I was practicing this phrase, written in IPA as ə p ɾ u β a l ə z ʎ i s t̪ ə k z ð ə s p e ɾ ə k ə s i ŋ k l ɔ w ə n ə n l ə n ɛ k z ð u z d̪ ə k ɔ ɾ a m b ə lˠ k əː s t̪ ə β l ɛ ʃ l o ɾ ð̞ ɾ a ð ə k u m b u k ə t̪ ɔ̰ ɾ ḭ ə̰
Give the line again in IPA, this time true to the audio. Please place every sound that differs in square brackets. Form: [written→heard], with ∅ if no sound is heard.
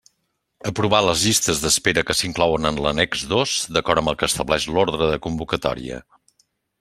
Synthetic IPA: ə p ɾ u β a l ə z ʎ i s t̪ ə [k→∅] z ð ə s p e ɾ ə k ə s i ŋ k l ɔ w ə n ə n l ə n ɛ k z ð [u→o] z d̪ ə k ɔ ɾ [a→ə] m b ə lˠ k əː s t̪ ə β l ɛ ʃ l o ɾ ð̞ ɾ [a→ə] ð ə k u m b u k ə t̪ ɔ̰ ɾ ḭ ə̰